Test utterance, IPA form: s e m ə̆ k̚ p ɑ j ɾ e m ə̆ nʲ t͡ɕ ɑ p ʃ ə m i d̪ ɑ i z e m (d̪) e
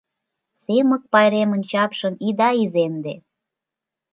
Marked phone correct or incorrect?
correct